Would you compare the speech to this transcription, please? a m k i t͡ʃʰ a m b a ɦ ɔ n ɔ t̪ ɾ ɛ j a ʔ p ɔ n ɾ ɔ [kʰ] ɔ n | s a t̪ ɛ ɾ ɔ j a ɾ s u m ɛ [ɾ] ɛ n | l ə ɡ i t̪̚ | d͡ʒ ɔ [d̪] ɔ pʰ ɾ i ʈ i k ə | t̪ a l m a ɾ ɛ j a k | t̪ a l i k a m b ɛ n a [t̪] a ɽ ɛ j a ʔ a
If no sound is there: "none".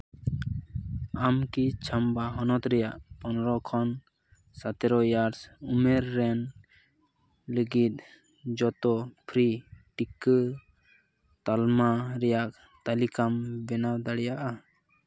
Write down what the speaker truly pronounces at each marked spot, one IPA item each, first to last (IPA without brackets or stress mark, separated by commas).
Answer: kʰ, ɾː, t̪, d̪